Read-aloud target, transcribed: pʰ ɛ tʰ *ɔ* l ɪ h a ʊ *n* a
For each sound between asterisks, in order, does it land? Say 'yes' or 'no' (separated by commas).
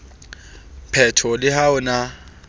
yes, yes